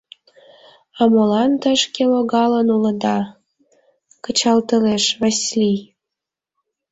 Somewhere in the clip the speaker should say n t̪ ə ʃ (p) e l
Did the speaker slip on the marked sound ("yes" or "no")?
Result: yes